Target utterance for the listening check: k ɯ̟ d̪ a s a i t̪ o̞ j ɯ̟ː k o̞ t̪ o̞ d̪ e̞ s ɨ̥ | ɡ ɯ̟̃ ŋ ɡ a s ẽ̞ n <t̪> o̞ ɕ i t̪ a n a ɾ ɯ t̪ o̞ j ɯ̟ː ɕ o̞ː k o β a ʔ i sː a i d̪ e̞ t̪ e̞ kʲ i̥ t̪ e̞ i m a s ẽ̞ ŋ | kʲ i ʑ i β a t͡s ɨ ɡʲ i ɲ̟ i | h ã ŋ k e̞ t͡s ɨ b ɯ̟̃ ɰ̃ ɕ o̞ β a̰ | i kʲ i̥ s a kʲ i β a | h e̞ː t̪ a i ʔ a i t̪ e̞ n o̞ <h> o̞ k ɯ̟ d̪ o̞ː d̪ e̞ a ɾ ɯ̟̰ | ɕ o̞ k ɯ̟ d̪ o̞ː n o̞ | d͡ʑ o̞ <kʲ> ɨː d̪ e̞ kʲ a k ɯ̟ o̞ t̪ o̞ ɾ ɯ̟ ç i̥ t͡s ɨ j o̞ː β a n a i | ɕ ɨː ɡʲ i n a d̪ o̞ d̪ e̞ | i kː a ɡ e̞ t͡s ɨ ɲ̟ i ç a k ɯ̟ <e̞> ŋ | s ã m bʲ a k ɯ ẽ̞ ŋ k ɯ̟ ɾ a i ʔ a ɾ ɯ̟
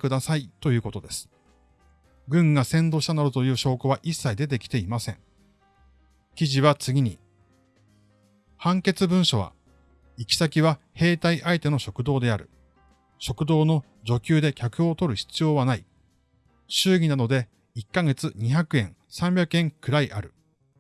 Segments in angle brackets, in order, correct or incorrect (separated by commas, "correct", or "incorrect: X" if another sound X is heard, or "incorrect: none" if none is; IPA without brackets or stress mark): incorrect: d̪, incorrect: ɕ, correct, incorrect: ẽ̞